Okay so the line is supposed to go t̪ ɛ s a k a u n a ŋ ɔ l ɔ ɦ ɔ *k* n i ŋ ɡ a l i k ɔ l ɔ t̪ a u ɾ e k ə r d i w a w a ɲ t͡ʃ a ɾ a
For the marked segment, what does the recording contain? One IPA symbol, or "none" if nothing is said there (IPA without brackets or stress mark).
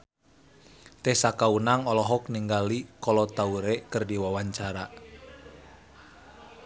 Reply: k